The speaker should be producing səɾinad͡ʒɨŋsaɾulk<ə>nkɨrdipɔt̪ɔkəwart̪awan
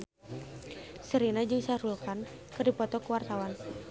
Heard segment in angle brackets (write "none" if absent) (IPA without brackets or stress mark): a